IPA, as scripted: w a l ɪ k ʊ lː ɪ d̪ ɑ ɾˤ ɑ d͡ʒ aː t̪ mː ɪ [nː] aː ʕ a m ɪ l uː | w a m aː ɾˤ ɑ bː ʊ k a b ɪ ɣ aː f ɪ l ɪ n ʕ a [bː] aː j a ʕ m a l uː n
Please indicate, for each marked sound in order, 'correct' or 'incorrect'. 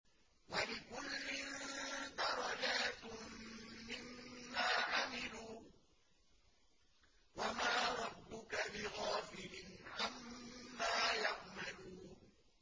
incorrect: mː, incorrect: mː

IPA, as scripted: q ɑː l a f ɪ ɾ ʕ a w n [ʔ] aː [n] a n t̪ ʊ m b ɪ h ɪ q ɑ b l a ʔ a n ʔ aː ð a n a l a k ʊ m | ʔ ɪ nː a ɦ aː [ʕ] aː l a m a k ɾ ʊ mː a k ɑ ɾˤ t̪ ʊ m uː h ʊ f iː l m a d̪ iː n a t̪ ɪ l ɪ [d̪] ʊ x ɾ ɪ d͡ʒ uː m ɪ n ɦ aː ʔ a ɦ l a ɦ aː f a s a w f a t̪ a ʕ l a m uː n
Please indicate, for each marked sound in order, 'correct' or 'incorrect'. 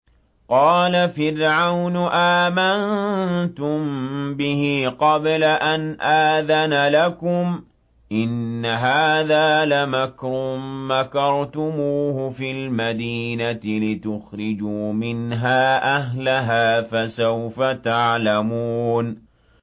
correct, incorrect: m, incorrect: ð, incorrect: t̪

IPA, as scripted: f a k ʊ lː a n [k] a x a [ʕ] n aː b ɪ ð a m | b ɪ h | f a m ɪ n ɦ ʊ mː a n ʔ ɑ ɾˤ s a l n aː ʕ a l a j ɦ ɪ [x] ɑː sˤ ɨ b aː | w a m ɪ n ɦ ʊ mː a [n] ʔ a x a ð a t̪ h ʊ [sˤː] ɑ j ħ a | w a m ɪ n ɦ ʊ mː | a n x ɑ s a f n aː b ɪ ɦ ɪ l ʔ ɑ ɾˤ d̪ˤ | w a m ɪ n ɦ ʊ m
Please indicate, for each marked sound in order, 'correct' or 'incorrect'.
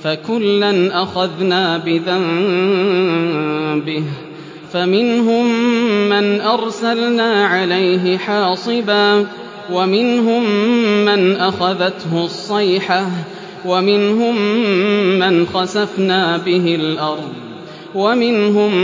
incorrect: ʔ, incorrect: ð, incorrect: ħ, correct, correct

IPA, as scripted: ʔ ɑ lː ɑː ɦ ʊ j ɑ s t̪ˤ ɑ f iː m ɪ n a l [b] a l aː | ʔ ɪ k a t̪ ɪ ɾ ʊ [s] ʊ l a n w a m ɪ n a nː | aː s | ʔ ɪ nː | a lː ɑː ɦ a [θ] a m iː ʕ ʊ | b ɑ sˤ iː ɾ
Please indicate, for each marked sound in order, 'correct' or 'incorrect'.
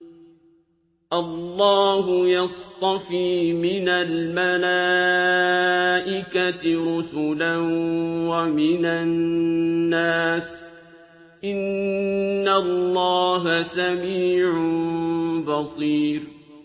incorrect: m, correct, incorrect: s

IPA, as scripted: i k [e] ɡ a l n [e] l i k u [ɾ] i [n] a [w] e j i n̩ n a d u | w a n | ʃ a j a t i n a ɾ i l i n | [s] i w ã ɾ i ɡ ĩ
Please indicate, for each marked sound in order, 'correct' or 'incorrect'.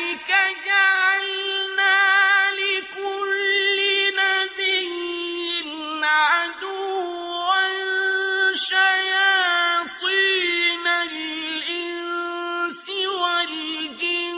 incorrect: a, incorrect: a, incorrect: l, correct, incorrect: b, correct

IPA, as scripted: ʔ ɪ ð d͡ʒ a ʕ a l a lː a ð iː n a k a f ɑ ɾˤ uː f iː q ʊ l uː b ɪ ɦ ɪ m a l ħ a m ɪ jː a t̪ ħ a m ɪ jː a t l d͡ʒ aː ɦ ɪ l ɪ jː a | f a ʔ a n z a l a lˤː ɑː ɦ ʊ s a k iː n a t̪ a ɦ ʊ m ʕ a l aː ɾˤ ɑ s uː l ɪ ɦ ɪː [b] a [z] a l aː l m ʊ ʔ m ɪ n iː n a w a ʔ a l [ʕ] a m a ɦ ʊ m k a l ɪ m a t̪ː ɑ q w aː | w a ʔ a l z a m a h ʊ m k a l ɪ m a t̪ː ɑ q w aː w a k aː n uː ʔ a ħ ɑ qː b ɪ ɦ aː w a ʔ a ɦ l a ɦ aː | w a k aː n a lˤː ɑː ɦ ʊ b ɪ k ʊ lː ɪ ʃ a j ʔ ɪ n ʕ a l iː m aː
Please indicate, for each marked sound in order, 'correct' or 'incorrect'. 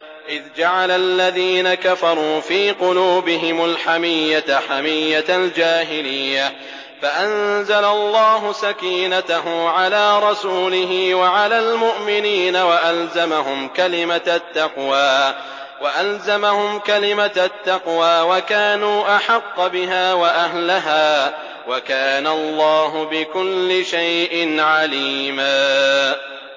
incorrect: w, incorrect: ʕ, incorrect: z

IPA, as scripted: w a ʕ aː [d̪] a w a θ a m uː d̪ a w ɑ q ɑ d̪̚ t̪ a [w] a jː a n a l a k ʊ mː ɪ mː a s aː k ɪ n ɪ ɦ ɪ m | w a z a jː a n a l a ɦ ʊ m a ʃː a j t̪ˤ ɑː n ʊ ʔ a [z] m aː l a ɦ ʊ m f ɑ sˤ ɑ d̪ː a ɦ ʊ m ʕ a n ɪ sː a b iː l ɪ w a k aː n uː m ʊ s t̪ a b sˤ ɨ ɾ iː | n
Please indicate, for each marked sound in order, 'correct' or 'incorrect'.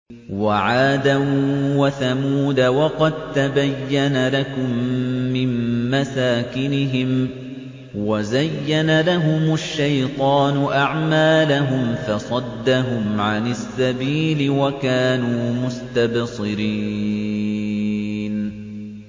correct, incorrect: b, incorrect: ʕ

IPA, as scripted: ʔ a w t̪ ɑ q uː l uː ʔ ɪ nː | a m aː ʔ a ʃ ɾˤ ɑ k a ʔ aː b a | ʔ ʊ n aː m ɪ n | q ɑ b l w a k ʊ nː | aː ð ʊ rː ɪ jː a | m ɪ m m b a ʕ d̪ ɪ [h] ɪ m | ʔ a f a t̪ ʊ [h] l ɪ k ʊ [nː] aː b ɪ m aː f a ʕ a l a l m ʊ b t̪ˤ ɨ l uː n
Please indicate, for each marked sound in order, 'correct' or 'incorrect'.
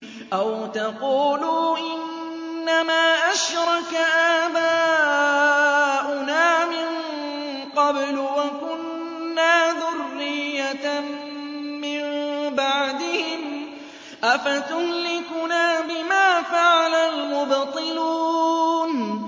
correct, correct, incorrect: n

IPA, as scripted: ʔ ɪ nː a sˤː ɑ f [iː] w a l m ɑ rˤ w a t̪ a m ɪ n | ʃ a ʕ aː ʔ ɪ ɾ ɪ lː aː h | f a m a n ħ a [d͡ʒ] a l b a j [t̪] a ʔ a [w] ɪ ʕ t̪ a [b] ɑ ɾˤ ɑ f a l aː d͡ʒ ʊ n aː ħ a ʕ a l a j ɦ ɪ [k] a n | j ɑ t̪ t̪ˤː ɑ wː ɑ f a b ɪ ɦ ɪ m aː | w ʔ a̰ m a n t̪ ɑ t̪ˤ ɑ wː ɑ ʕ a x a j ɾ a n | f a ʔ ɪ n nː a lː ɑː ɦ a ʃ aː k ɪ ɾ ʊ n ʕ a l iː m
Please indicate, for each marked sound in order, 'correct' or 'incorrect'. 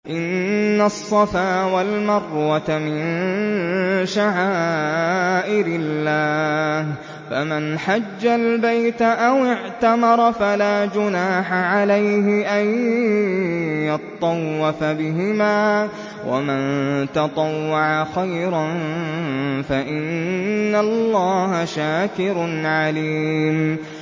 incorrect: aː, incorrect: d͡ʒː, correct, correct, incorrect: m, incorrect: ʔ

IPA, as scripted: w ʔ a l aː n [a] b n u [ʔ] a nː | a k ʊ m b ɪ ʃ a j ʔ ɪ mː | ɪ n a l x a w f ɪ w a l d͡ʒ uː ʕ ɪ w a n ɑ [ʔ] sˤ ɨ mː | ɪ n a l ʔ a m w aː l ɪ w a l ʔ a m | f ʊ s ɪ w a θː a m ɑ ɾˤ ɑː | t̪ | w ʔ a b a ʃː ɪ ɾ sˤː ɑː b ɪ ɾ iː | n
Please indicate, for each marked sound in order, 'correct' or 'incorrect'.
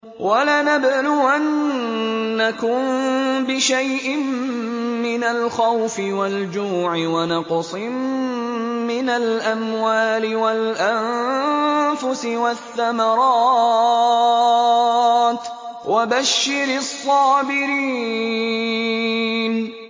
correct, correct, incorrect: q

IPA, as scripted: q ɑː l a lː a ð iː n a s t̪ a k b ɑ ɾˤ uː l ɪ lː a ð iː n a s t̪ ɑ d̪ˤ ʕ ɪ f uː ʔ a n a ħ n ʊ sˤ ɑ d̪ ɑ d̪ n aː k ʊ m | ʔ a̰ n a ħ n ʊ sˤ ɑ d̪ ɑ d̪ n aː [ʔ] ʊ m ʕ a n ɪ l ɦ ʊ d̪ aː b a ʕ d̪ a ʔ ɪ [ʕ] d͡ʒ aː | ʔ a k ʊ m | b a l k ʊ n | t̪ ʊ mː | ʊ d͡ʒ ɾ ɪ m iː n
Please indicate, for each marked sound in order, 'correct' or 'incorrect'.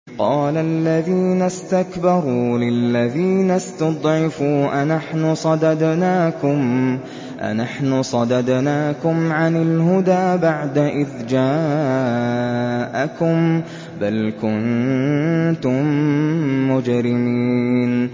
incorrect: k, incorrect: ð

